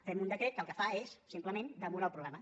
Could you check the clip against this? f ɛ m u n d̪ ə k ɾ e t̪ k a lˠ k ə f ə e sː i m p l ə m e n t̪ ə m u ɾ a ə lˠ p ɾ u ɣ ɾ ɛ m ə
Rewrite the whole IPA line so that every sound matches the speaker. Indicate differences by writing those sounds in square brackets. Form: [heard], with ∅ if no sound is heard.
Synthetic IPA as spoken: f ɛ m u n d̪ ə k ɾ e t̪ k [ə] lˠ k ə f [a] e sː i m p l ə m e n [d̪] ə m u ɾ a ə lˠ p ɾ u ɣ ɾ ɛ m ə